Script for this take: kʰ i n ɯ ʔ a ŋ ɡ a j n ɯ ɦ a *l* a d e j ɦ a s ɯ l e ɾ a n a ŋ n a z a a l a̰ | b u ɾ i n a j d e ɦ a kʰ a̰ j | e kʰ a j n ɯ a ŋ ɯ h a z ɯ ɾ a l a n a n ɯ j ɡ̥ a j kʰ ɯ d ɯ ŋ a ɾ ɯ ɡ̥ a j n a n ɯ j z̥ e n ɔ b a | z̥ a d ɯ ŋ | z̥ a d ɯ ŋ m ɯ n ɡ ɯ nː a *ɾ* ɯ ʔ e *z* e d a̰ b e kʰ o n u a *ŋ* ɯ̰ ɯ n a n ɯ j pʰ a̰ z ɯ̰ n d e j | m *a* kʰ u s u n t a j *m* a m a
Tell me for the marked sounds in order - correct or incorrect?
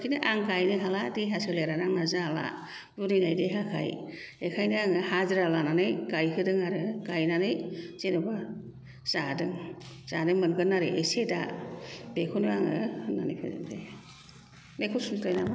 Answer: correct, correct, incorrect: s, correct, incorrect: e, incorrect: n

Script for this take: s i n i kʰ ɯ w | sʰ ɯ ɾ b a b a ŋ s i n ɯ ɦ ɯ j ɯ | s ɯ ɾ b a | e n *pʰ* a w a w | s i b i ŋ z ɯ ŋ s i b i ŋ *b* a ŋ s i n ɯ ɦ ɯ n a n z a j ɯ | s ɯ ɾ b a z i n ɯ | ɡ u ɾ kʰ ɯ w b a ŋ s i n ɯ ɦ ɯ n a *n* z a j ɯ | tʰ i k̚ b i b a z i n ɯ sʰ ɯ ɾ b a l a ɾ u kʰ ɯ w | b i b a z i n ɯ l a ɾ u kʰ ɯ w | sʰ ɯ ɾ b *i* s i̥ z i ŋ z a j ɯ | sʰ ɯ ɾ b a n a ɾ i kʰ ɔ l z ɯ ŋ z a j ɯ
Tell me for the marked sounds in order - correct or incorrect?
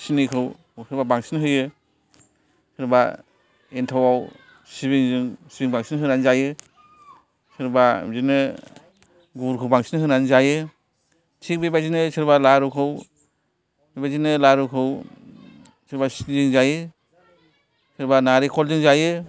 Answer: incorrect: tʰ, correct, correct, incorrect: a

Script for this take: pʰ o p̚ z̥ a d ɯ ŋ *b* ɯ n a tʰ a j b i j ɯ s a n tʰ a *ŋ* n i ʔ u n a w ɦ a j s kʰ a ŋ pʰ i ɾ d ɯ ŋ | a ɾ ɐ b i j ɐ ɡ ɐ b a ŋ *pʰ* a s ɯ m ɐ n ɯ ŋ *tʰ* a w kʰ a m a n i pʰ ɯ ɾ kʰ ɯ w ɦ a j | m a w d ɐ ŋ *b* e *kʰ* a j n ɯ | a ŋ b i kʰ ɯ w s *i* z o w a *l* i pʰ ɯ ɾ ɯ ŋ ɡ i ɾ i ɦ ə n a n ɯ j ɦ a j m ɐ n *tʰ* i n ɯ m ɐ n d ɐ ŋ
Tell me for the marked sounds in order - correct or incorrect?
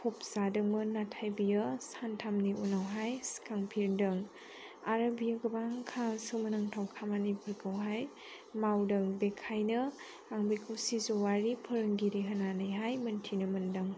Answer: incorrect: m, incorrect: m, incorrect: kʰ, correct, correct, correct, correct, incorrect: ɾ, correct

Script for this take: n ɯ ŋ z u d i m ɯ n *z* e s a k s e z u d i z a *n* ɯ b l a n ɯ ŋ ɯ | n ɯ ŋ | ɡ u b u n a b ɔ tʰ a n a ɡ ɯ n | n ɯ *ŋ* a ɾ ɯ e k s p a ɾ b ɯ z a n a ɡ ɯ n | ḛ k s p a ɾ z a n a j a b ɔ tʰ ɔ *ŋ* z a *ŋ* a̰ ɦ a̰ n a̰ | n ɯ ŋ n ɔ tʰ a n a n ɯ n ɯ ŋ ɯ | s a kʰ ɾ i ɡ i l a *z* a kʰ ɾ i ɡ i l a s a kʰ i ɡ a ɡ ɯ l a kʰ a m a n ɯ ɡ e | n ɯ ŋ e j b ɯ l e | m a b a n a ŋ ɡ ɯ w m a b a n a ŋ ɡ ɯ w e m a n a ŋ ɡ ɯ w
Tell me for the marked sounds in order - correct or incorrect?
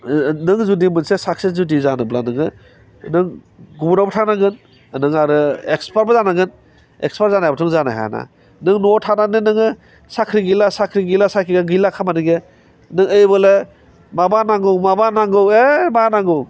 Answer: incorrect: s, correct, correct, correct, incorrect: n, incorrect: s

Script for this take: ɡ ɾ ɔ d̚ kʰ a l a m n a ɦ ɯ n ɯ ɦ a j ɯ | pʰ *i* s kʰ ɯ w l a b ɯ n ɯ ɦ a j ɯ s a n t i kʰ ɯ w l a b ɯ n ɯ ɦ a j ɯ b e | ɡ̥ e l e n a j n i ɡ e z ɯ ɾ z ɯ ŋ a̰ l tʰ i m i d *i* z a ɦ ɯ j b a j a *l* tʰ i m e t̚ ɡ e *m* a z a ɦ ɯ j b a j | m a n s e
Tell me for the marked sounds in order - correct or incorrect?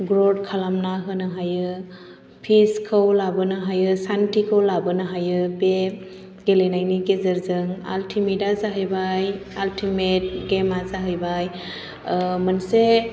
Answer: correct, incorrect: a, correct, correct

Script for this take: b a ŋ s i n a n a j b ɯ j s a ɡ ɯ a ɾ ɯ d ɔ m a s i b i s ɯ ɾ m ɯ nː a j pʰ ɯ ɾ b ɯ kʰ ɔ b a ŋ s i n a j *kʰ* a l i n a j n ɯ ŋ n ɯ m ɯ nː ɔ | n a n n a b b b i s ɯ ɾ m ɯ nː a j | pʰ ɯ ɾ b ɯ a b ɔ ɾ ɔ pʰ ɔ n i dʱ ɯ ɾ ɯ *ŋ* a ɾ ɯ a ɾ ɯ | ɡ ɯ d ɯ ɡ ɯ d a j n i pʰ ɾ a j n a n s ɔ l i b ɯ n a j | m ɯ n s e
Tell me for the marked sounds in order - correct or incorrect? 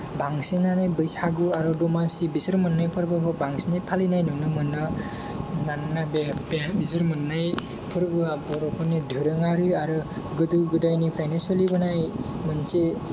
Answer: incorrect: pʰ, correct

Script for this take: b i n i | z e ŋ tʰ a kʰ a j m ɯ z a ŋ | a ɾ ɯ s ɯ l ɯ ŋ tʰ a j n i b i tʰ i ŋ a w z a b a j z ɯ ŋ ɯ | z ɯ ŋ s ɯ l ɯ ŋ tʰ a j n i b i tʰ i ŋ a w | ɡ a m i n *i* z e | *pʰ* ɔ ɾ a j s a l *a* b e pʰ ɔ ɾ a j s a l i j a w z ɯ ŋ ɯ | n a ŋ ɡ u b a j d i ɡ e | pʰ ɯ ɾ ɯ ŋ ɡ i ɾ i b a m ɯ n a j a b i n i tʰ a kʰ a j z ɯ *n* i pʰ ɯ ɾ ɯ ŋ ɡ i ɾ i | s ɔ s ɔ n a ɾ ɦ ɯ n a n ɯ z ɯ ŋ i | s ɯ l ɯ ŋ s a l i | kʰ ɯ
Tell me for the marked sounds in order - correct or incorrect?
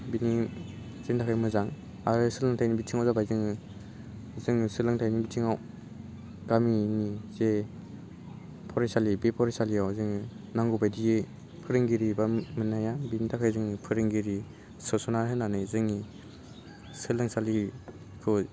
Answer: correct, correct, incorrect: i, incorrect: ŋ

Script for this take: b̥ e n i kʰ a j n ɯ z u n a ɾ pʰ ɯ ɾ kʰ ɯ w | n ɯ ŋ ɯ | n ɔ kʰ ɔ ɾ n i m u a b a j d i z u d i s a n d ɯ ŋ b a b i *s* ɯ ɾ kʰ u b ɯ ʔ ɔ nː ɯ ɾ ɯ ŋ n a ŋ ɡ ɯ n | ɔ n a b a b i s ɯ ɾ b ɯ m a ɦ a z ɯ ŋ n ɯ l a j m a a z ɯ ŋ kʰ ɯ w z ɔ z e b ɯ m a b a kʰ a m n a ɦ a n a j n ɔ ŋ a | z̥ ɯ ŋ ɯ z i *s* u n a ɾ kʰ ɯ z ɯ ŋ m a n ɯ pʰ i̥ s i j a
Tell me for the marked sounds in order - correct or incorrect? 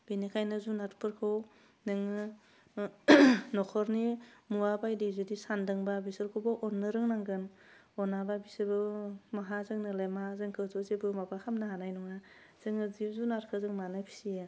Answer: correct, incorrect: z

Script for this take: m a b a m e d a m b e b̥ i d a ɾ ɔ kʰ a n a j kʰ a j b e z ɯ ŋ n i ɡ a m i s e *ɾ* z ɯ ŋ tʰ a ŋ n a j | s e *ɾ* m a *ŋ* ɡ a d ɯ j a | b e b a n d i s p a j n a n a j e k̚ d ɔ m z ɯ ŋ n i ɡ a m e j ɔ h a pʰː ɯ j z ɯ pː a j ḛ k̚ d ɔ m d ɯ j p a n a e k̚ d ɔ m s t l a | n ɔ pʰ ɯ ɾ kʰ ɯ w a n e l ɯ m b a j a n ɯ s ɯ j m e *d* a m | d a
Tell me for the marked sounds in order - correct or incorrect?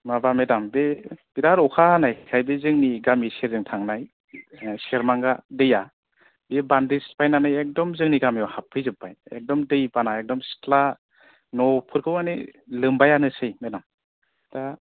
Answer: correct, correct, correct, correct

